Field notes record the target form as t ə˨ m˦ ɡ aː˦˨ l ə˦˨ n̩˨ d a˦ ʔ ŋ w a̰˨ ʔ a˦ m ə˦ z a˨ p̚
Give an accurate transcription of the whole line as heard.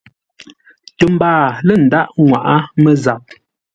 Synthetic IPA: t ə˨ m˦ b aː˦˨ l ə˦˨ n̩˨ d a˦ ʔ ŋ w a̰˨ ʔ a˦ m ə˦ z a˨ p̚

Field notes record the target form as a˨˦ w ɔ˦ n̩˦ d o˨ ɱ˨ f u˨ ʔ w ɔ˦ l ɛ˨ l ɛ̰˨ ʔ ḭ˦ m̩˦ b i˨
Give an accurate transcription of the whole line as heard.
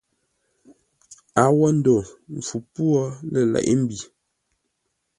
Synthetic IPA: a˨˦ w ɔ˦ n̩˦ d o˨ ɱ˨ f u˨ p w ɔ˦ l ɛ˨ l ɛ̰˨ ʔ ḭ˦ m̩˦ b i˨

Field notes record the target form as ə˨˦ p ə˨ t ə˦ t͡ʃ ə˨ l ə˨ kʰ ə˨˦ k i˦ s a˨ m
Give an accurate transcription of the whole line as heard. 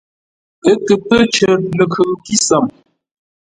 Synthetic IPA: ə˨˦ k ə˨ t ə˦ t͡ʃ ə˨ l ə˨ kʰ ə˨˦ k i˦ s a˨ m

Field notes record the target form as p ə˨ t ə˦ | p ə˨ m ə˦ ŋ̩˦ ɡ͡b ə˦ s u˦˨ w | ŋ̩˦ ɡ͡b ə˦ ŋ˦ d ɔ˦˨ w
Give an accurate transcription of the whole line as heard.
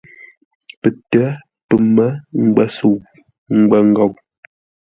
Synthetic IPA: p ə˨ t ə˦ | p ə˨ m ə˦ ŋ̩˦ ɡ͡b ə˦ s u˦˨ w | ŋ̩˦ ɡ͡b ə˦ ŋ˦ ɡ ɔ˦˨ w

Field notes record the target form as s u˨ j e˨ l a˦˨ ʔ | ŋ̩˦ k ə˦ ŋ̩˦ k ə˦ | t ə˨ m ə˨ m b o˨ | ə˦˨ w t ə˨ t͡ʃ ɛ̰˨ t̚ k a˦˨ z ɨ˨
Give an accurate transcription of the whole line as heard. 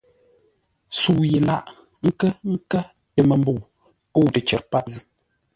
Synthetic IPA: s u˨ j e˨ l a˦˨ ʔ | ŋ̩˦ k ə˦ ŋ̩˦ k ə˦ | t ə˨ m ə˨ m b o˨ | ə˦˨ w t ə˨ t͡ʃ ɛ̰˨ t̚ p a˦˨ z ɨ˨

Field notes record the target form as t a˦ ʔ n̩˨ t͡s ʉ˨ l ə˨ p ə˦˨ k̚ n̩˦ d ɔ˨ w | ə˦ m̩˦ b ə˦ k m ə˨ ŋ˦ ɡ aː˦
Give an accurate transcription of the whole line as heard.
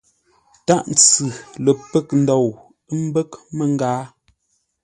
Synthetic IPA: t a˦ ʔ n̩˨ t͡s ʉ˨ l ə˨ p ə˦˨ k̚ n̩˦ d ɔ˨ w | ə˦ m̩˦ b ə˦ k m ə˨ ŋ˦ ɡ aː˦

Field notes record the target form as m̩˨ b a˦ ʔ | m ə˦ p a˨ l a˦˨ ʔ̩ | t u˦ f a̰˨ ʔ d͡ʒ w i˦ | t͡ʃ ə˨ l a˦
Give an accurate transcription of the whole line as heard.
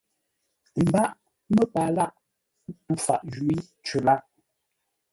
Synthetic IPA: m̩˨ b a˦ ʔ | m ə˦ p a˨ l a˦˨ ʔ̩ | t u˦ f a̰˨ ʔ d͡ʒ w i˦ | t͡ʃ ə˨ l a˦

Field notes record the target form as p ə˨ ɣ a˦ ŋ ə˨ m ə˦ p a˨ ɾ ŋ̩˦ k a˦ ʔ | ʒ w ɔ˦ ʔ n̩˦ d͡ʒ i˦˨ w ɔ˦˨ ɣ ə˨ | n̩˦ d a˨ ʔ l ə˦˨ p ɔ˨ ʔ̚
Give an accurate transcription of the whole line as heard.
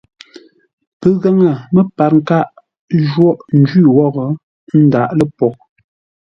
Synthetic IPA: p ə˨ ɣ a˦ ŋ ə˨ m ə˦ p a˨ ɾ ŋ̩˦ k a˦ ʔ | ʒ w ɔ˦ ʔ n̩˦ d͡ʒ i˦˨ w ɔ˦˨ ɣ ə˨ | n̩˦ d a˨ ʔ l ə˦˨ p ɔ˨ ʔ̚

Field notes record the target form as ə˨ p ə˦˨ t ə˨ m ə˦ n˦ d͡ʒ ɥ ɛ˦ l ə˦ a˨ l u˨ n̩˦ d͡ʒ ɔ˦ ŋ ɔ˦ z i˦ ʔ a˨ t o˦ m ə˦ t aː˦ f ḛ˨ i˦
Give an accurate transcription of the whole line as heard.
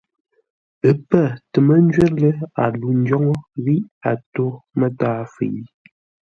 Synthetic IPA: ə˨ p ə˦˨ t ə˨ m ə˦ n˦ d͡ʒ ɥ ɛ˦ l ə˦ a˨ l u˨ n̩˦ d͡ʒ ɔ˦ ŋ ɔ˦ ɣ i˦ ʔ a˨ t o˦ m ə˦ t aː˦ f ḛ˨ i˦

